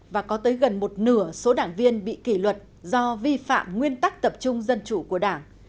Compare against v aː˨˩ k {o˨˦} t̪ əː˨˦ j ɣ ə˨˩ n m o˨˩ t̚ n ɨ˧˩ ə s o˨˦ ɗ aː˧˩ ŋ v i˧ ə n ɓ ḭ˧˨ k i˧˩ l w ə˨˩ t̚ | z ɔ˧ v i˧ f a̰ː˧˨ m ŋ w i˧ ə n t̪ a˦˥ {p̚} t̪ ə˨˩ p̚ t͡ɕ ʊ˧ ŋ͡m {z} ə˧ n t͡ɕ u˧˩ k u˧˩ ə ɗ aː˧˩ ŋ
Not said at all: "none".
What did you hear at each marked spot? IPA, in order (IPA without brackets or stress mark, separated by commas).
ɔ˨˦, k̚, z